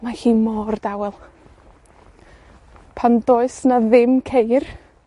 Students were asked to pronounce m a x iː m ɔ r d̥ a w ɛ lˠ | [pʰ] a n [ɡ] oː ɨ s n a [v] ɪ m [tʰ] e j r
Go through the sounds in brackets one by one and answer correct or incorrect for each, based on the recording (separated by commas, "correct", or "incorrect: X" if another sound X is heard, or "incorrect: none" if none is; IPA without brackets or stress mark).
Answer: correct, incorrect: d, incorrect: ð, incorrect: kʰ